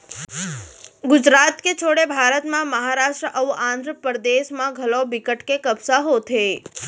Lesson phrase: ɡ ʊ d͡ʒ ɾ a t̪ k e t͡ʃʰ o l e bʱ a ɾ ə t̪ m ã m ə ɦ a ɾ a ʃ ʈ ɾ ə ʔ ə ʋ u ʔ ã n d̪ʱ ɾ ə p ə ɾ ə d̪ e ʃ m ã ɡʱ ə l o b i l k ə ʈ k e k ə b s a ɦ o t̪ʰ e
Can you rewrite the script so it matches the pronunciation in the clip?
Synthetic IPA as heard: ɡ ʊ d͡ʒ ɾ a t̪ k e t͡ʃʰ o ɽ e bʱ a ɾ ə t̪ m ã m ə ɦ a ɾ a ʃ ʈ ɾ ə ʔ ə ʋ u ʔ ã n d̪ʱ ɾ ə p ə ɾ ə d̪ e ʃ m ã ɡʱ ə l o b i k ə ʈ k e k ə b s a ɦ o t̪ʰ e